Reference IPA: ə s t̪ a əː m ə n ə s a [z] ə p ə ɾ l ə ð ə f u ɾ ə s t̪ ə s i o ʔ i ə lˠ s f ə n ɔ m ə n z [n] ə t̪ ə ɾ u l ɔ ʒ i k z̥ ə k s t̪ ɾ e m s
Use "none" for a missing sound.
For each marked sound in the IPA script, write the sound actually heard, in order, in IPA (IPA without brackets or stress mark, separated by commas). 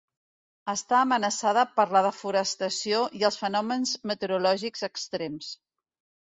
ð, m